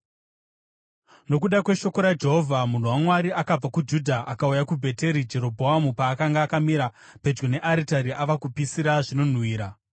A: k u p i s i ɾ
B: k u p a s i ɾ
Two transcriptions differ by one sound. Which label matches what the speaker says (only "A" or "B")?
A